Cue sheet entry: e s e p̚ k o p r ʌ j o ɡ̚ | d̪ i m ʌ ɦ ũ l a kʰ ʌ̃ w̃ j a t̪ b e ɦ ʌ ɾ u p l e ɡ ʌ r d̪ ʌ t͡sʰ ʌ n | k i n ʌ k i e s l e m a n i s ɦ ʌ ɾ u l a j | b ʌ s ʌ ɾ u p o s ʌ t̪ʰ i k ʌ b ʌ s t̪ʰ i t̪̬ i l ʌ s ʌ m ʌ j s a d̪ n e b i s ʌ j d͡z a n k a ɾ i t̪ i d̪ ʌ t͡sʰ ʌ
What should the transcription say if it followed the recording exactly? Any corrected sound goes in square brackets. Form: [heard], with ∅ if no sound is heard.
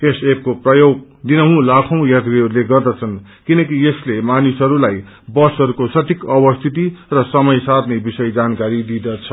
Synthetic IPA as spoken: e s e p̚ k o p r ʌ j o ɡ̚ | d̪ i [n] ʌ ɦ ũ l a kʰ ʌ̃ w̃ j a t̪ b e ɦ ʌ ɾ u [∅] l e ɡ ʌ r d̪ ʌ t͡sʰ ʌ n | k i n ʌ k i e s l e m a n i s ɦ ʌ ɾ u l a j | b ʌ s ʌ ɾ u [k] o s ʌ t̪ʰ i k ʌ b ʌ s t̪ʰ i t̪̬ i [r] ʌ s ʌ m ʌ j s a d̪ n e b i s ʌ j d͡z a n k a ɾ i [d̪] i d̪ ʌ t͡sʰ ʌ